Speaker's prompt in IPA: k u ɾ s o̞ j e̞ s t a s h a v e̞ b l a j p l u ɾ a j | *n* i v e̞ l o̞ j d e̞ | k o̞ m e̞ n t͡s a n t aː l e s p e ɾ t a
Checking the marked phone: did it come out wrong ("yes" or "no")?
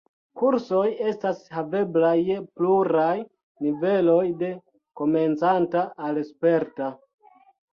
no